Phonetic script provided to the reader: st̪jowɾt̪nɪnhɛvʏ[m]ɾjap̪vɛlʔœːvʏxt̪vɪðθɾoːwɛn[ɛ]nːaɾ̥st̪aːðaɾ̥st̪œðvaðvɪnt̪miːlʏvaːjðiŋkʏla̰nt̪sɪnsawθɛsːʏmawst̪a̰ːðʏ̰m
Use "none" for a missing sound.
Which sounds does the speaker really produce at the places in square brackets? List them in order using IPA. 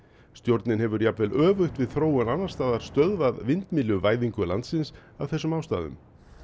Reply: none, a

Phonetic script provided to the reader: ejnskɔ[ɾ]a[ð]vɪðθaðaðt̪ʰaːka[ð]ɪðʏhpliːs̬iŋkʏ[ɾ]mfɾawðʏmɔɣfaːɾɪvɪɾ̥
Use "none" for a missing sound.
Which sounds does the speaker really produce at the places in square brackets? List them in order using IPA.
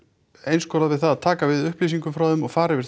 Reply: ɾ, ð, v, none

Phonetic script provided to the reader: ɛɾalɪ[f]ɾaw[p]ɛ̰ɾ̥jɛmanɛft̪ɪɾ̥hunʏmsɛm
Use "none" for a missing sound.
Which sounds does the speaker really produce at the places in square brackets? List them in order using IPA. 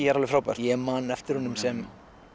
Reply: f, p

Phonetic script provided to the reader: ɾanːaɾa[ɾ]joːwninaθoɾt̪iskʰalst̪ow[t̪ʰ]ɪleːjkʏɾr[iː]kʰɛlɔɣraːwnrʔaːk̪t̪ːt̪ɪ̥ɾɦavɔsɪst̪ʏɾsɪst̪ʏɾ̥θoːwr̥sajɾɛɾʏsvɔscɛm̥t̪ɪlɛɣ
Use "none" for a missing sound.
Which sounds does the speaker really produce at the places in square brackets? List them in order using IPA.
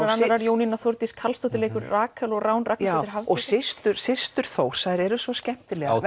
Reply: ɾ, t̪, aː

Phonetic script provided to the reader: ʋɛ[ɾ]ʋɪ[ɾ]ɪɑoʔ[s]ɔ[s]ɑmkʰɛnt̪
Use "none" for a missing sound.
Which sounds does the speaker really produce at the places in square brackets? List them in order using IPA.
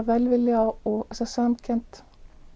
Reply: l, l, s, s

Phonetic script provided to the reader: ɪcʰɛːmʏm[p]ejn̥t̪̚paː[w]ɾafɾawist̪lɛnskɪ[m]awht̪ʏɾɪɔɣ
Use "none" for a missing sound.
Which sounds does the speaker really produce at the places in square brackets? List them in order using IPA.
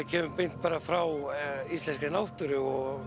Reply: p, none, n

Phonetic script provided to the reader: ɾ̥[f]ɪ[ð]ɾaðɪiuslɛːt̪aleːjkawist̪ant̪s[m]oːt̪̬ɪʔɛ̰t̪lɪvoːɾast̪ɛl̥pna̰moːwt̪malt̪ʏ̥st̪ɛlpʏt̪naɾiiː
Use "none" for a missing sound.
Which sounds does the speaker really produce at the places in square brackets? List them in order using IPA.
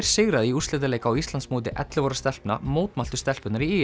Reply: s, ɣ, m

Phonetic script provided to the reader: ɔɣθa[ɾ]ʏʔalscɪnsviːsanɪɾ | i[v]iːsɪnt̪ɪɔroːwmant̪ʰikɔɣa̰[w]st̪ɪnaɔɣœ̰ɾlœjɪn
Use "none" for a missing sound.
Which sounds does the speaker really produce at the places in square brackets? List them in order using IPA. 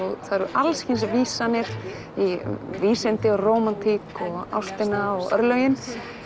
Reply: ɾ, v, w

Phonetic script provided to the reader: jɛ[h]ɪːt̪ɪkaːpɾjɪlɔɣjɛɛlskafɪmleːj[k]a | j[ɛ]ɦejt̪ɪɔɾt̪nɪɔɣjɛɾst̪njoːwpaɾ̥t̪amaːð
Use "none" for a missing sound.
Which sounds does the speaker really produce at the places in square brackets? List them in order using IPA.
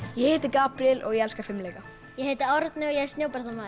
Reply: h, k, ɛ

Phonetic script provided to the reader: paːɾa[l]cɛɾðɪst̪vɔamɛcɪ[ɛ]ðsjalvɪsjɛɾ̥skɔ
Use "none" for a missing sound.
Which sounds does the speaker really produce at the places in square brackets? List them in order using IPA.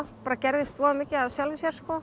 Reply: none, a

